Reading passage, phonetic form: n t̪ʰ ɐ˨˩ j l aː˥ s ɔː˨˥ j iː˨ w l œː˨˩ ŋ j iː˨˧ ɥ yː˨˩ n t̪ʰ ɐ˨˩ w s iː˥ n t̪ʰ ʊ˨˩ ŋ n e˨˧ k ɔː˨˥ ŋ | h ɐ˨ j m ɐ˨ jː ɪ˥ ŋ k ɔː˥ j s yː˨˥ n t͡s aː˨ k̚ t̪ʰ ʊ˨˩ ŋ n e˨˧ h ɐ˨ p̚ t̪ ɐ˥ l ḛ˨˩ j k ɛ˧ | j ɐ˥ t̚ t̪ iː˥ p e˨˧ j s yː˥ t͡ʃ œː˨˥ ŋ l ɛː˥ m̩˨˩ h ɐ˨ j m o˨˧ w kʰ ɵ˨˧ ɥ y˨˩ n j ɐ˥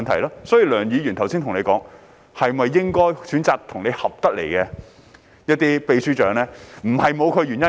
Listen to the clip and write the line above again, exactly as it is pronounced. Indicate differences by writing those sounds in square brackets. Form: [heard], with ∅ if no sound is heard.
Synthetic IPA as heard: n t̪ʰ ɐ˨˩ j l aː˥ s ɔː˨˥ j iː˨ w l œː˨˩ ŋ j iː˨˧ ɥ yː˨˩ n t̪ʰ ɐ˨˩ w s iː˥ n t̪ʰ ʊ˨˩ ŋ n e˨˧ k ɔː˨˥ ŋ | h ɐ˨ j m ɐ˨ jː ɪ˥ ŋ k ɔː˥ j s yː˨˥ n t͡s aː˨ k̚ t̪ʰ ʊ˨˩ ŋ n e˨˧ h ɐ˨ p̚ t̪ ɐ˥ l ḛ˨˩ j k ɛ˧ | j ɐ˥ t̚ t̪ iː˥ p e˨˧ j s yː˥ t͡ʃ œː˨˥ ŋ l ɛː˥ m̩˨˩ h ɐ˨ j m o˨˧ w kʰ ɵ˨˧ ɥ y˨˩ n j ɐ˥

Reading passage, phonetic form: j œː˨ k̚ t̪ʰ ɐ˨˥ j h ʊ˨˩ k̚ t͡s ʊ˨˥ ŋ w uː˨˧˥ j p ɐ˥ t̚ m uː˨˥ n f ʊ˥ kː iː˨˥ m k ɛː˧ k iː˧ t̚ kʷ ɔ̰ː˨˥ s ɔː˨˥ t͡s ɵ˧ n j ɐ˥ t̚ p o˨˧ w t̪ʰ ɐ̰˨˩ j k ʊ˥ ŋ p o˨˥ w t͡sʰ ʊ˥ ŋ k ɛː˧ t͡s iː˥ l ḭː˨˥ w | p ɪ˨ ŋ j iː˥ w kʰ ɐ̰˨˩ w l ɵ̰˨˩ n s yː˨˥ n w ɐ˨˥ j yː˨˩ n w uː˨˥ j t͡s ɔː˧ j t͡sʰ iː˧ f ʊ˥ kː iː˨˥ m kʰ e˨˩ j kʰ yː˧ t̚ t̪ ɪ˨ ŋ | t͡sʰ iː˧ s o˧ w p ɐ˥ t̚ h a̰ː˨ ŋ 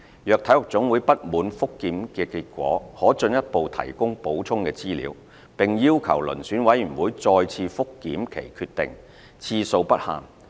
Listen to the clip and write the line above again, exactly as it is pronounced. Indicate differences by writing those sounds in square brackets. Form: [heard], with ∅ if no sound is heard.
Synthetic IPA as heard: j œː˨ k̚ t̪ʰ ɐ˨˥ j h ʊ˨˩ k̚ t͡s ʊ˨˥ ŋ w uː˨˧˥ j p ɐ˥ t̚ m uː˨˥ n f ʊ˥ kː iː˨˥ m k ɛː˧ k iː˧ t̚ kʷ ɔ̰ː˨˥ [h] ɔː˨˥ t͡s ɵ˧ n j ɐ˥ t̚ p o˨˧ w t̪ʰ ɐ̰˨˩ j k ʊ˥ ŋ p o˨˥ w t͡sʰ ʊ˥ ŋ k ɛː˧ t͡s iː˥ l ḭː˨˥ w | p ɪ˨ ŋ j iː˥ w kʰ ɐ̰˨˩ w l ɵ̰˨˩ n s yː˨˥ n w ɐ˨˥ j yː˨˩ n w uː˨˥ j t͡s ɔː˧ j t͡sʰ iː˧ f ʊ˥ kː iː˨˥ m kʰ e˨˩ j kʰ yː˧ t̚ t̪ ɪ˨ ŋ | t͡sʰ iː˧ s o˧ w p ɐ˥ t̚ h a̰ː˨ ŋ

